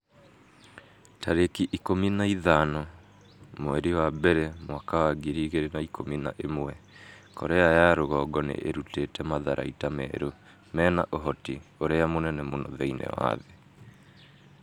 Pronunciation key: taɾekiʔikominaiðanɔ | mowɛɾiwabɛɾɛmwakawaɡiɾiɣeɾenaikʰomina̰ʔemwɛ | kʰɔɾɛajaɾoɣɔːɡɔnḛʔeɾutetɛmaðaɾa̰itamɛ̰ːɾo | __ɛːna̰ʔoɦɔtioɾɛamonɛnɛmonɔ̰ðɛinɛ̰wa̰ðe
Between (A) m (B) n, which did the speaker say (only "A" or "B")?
A